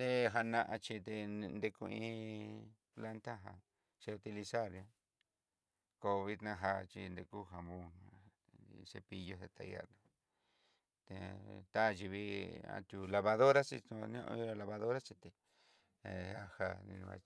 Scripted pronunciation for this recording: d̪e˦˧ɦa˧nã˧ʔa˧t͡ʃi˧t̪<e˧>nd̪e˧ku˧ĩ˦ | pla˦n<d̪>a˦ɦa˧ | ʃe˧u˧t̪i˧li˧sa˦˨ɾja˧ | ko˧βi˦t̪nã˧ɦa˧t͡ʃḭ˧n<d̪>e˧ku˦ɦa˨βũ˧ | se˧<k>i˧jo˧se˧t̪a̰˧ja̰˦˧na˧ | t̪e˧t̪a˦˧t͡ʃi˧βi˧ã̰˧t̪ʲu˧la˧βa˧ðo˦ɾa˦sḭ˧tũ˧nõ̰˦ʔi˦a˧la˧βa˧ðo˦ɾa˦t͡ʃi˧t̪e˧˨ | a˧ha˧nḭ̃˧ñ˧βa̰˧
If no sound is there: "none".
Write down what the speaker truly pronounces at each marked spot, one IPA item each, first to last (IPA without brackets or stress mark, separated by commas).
e˧, t̪, d̪, p